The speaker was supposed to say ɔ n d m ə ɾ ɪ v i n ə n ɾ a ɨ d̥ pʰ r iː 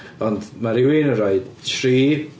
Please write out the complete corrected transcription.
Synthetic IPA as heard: ɔ n d m a ɾ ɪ w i n ə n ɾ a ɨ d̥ tʰ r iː

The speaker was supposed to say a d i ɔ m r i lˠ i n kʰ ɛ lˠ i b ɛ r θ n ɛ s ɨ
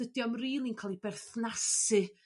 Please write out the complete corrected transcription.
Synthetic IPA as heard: ə d j ɔ m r iː lˠ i n kʰ a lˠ i b ɛ r θ n a s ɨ

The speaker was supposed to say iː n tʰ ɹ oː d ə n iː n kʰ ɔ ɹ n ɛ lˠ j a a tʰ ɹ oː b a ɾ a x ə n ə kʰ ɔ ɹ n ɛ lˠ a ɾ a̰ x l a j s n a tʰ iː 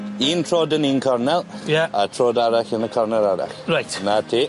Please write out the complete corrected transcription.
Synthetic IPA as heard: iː n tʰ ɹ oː d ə n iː n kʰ ɔ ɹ n ɛ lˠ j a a tʰ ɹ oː d a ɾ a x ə n ə kʰ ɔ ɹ n ɛ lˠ a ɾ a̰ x ɹ a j t n a tʰ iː

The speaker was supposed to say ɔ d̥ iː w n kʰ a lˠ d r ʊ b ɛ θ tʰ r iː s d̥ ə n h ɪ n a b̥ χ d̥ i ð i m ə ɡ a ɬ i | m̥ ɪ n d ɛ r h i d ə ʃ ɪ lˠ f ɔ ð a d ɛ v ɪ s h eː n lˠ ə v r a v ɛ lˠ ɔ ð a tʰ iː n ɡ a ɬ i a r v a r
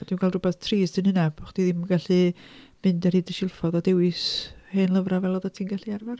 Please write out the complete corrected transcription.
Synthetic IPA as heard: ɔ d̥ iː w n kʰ a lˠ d r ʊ b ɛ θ tʰ r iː s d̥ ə n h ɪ n a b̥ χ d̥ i ð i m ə ɡ a ɬ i | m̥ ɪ n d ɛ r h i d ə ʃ ɪ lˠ f ɔ ð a d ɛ w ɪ s h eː n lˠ ə v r a v ɛ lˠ ɔ ð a tʰ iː n ɡ a ɬ i a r v a r

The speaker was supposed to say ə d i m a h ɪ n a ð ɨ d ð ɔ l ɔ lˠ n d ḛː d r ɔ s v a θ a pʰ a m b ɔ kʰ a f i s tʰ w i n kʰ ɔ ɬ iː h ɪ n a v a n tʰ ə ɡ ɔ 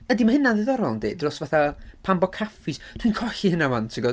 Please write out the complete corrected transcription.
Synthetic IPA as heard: ə d i m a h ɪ n a ð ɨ ð ɔ ɾ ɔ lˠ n d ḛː d r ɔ s v a θ a pʰ a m b ɔ kʰ a f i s tʰ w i n kʰ ɔ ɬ i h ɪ n a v a n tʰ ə ɡ ɔ

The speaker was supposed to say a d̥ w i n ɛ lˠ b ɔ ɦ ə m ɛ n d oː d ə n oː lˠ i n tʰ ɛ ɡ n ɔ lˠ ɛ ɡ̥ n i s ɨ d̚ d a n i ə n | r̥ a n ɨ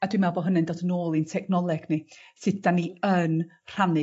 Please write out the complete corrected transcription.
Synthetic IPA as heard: a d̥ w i m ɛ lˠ b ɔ ɦ ə n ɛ n d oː d ə n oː lˠ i n tʰ ɛ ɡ n ɔ lˠ ɛ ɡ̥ n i s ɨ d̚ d a n i ə n | r̥ a n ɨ

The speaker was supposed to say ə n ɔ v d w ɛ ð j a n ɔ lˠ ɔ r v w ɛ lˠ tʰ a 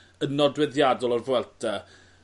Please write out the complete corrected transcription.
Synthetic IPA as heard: ə n ɔ d w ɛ ð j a d ɔ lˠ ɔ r v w ɛ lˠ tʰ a

